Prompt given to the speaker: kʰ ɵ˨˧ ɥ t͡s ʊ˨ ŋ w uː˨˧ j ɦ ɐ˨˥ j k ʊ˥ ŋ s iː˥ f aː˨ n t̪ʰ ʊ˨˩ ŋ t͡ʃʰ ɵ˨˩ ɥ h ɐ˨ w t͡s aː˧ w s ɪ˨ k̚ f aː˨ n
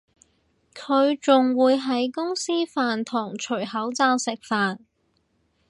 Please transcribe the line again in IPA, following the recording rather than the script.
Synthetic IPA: kʰ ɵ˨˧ ɥ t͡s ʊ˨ ŋ w uː˨˧ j ɦ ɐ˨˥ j k ʊ˥ ŋ s iː˥ f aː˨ n t̪ʰ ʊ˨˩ ŋ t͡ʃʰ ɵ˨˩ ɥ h ɐ˨˥ w t͡s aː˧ w s ɪ˨ k̚ f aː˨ n